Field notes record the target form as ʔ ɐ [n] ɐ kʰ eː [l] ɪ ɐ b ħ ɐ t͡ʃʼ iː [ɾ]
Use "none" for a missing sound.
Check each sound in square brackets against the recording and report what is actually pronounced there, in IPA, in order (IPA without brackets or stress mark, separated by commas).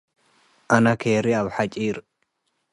n, ɾ, ɾ